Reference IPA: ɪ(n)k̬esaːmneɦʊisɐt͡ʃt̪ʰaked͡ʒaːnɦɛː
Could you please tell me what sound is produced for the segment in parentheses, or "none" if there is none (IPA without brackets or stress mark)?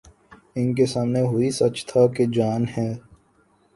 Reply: n